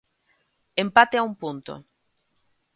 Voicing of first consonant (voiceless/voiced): voiced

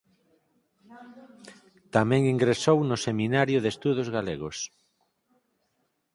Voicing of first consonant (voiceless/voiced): voiceless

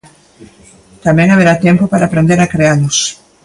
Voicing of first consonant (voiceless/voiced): voiceless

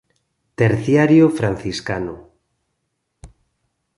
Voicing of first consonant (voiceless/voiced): voiceless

